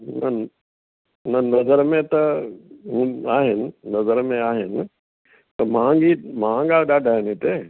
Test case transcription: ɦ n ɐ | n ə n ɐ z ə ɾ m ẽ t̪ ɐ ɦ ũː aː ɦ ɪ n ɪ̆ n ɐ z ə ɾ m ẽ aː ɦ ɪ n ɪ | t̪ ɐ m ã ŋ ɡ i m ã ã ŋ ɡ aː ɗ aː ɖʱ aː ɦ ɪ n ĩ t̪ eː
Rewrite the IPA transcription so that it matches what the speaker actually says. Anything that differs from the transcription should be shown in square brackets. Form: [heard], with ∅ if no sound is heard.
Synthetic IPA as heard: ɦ n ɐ | n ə n ɐ z ə ɾ m ẽ t̪ ɐ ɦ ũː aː ɦ ɪ n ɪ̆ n ɐ z ə ɾ m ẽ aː ɦ ɪ n ɪ | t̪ ɐ m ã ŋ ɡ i m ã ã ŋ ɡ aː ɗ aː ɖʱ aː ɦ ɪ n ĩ t̪ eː